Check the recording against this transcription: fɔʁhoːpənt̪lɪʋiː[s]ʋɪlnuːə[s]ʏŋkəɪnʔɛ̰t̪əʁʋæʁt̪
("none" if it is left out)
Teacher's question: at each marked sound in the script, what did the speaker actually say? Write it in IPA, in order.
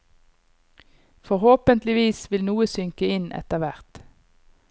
s, s

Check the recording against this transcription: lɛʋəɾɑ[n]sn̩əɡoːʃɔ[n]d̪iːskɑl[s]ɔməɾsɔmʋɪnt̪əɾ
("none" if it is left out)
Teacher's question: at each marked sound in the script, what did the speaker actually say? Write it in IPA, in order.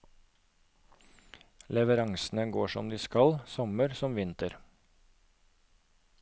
ŋ, m, s

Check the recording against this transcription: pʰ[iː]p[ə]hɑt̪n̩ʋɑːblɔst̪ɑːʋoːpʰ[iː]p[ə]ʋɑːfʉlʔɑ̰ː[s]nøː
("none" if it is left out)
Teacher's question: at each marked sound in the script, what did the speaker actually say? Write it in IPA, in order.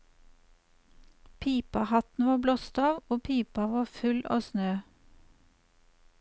iː, ɑ, iː, ɑ, s

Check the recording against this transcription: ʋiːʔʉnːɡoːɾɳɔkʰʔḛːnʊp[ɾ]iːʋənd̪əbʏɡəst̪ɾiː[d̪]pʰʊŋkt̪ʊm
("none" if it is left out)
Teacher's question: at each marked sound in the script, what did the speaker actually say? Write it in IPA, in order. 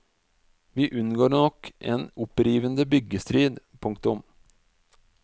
ɾ, d̪

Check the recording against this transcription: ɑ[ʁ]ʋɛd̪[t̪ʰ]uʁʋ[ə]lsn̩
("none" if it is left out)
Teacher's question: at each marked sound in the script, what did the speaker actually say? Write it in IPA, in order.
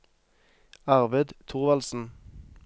ʁ, t̪ʰ, ɑ

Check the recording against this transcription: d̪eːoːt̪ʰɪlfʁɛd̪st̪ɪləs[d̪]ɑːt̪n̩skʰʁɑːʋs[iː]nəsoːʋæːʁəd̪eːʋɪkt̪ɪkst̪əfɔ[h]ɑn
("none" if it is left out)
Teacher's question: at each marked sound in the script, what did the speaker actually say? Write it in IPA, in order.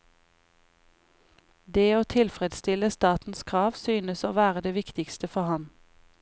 t̪, yː, h

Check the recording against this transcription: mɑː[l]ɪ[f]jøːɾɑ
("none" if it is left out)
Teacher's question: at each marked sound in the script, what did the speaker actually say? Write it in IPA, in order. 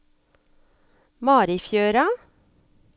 ɾ, f

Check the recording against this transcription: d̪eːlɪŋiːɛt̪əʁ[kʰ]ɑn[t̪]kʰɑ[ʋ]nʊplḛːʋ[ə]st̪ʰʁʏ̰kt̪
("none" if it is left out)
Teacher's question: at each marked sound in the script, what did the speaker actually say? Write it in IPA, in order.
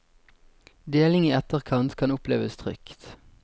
kʰ, t̪, none, ə

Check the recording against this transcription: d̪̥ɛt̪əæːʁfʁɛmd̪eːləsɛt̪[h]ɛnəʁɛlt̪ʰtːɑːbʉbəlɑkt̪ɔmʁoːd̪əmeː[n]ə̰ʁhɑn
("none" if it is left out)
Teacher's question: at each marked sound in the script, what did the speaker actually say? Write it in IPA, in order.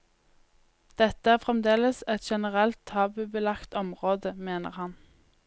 ʃ, n

